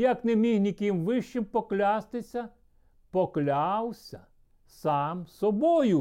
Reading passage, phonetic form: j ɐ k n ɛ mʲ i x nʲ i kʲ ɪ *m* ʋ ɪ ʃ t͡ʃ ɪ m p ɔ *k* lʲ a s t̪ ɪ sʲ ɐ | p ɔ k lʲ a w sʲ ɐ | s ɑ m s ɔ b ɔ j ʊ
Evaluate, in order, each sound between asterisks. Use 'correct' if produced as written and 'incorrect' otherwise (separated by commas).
correct, correct